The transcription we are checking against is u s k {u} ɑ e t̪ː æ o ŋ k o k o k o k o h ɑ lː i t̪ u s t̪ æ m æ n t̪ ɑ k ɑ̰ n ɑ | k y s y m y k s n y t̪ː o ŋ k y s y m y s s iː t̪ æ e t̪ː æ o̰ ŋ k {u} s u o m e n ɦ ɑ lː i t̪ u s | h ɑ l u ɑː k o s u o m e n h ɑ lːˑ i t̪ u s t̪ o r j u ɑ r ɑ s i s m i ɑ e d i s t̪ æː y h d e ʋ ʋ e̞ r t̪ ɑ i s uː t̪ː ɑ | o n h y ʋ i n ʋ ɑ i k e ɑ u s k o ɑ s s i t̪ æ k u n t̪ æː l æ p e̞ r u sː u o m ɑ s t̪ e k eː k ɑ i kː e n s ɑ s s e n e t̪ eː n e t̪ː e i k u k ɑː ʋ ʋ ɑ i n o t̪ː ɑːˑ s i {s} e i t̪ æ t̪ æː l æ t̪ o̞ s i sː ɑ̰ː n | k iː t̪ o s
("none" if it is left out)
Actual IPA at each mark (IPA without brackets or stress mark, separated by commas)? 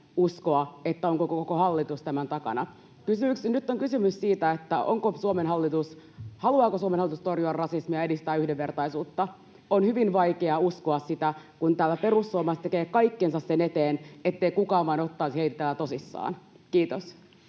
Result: o, o, h